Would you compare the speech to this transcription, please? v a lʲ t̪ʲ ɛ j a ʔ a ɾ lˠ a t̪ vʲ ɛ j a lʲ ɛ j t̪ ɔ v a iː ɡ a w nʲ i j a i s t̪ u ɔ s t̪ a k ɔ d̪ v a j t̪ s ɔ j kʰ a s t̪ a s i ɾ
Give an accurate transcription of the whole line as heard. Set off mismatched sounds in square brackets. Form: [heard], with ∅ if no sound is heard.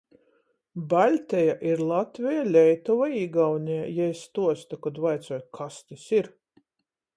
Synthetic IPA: [b] a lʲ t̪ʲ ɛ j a ʔ [i] ɾ lˠ a t̪ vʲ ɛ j a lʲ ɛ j t̪ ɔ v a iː ɡ a w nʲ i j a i s t̪ u ɔ s t̪ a k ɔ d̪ v a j t̪ s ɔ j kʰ a s t̪ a s i ɾ

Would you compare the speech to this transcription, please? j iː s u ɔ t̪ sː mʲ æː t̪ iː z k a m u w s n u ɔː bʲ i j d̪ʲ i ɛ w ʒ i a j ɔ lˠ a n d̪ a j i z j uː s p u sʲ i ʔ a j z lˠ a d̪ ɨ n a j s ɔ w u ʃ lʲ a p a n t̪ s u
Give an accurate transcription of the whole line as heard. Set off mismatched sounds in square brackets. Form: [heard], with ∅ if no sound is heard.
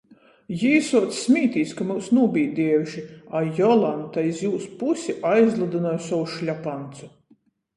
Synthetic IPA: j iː s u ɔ t̪ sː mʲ [iː] t̪ iː [s] k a m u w s n u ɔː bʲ i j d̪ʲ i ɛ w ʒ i a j ɔ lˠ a n [t̪] a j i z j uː s p u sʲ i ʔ a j z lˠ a d̪ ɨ n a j s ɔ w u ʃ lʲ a p a n t̪ s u

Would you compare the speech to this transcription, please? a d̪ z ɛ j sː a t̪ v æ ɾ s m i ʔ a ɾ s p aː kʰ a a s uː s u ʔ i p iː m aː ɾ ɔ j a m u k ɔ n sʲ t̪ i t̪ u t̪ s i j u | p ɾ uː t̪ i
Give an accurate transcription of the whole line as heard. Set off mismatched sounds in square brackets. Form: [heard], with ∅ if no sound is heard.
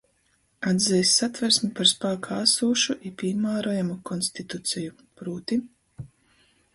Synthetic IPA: a d̪ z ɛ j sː a t̪ v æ ɾ s m i [p] a ɾ s p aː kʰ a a s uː [ʃ] u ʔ i p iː m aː ɾ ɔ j a m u k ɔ n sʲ t̪ i t̪ u t̪ s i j u | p ɾ uː t̪ i

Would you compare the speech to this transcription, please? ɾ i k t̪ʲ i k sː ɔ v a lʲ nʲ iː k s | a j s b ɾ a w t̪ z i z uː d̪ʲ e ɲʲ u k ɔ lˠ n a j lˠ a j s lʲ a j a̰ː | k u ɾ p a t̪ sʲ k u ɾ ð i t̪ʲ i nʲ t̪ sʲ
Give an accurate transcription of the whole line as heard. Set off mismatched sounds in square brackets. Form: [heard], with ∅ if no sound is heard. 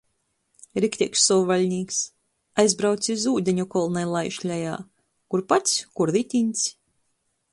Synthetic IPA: ɾ i k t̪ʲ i k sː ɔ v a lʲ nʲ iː k s | a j [z] b ɾ a w t̪ [s] i z uː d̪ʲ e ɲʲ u k ɔ lˠ n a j lˠ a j [ʃ] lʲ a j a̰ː | k u ɾ p a t̪ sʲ k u ɾ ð i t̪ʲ i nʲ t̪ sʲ

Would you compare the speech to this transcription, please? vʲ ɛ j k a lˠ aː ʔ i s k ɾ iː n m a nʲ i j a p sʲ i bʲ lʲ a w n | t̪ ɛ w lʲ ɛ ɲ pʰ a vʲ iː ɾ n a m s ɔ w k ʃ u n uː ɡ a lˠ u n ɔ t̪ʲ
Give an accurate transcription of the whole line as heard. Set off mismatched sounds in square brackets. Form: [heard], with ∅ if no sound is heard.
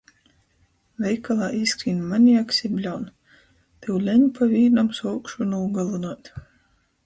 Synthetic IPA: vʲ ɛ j k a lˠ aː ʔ i s k ɾ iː n m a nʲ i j a [k] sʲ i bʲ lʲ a w n | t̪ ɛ w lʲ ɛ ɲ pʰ a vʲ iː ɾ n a m s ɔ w k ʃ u n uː ɡ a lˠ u n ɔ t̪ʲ

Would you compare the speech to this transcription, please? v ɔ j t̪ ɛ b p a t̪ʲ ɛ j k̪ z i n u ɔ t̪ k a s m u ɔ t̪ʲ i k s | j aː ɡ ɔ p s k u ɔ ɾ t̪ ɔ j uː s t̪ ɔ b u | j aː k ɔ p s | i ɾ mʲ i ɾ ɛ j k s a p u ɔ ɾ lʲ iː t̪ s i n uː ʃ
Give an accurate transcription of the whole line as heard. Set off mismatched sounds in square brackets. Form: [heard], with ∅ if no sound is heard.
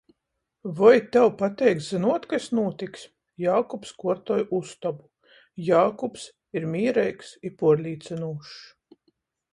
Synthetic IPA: v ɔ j t̪ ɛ [w] p a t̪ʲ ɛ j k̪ z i n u ɔ t̪ k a s [n] u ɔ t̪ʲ i k s | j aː [k] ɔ p s k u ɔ ɾ t̪ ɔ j [u] s t̪ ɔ b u | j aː k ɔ p s | i ɾ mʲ [iː] ɾ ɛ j k s [i] p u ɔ ɾ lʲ iː t̪ s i n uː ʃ

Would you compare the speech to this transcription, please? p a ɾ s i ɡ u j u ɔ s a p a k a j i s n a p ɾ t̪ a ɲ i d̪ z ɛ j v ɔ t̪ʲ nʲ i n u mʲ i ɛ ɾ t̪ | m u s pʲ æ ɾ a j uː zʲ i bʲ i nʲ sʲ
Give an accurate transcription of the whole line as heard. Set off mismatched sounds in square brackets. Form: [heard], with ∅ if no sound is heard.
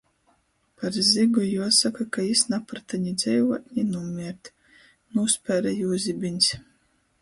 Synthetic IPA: p a ɾ [z] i ɡ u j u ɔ s a [k] a k a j i s n a p ɾ t̪ a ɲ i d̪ z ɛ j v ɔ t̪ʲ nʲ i n u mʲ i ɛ ɾ t̪ | [n] u s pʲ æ ɾ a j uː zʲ i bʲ i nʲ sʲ

